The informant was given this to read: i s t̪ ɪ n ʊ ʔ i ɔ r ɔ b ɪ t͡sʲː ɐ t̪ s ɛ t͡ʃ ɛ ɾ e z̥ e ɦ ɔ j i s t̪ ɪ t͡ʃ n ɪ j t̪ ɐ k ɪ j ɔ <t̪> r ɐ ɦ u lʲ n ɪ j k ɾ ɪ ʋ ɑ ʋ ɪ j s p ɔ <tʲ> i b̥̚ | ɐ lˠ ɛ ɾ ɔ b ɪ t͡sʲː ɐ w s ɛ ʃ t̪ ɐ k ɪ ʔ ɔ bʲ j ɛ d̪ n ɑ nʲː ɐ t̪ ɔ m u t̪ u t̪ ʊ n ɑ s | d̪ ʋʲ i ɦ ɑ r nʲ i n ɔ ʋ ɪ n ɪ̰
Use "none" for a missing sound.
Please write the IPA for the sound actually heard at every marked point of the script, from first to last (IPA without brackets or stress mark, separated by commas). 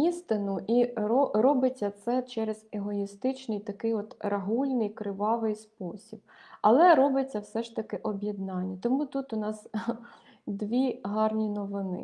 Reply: t̪, sʲ